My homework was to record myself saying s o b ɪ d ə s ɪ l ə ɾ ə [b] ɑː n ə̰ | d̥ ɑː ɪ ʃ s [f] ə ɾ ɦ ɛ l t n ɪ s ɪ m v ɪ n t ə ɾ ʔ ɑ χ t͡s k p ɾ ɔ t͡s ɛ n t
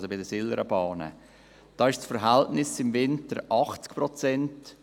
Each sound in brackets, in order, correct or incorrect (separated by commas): correct, correct